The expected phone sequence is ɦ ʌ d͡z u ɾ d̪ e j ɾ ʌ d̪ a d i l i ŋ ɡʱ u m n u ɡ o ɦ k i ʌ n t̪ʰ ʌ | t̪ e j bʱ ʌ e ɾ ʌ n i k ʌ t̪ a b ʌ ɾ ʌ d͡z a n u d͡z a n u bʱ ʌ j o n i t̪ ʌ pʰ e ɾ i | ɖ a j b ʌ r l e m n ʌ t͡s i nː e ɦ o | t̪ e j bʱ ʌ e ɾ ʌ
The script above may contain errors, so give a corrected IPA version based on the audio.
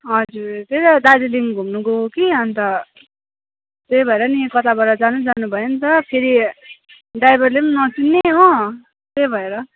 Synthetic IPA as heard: ɦ ʌ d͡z u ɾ t̪ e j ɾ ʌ d̪ a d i l i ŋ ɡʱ u m n u ɡ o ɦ k i ʌ n t̪ ʌ | t̪ e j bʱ ʌ e ɾ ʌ n i k ʌ t̪ a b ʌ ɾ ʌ d͡z a n u d͡z a n u bʱ ʌ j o n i t̪ ʌ pʰ e ɾ i | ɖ a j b ʌ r l e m n ʌ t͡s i nː e ɦ o | t̪ e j bʱ ʌ e ɾ ʌ